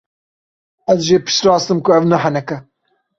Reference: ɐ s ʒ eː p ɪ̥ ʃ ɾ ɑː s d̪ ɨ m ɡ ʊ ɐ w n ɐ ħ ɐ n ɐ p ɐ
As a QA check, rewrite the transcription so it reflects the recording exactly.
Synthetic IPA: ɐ z ʒ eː p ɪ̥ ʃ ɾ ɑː s t̪ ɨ m k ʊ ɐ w n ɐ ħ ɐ n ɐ k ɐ